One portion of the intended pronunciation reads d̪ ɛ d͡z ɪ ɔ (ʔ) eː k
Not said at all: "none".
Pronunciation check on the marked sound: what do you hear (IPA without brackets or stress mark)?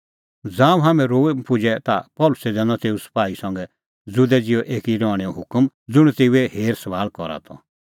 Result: ʔ